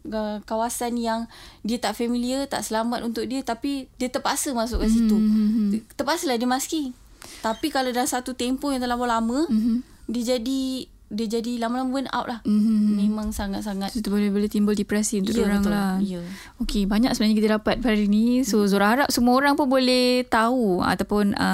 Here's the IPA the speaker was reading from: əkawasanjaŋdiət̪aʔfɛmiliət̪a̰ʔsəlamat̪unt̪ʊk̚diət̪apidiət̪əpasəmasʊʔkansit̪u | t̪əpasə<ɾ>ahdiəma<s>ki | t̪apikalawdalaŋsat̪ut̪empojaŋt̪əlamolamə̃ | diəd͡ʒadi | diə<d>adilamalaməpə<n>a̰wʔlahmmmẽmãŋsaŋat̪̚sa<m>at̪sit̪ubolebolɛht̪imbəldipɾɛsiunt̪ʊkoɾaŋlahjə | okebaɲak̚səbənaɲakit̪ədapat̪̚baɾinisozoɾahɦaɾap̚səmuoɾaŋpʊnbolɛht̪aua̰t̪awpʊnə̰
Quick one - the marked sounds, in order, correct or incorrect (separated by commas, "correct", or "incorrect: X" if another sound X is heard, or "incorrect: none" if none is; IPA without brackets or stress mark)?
incorrect: l, correct, incorrect: d͡ʒ, correct, incorrect: ŋ